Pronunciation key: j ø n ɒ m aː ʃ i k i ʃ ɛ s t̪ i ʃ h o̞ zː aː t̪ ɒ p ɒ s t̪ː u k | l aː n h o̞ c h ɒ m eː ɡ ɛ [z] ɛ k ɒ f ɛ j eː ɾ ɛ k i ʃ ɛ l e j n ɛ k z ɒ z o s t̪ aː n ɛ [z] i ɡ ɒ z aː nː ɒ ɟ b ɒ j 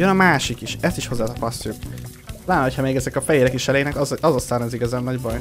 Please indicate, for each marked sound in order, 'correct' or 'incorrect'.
correct, correct

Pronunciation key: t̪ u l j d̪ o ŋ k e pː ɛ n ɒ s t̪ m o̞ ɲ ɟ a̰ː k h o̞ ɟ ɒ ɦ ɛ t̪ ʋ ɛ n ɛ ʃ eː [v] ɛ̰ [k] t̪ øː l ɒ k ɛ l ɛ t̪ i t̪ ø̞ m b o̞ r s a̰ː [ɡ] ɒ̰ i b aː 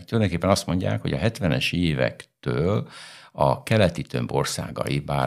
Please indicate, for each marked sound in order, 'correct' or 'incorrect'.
correct, correct, correct

